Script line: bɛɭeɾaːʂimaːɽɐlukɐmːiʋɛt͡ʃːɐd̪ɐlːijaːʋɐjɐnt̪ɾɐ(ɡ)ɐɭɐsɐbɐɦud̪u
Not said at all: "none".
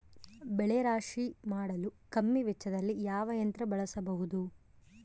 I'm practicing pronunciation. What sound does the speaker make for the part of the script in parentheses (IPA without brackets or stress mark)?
b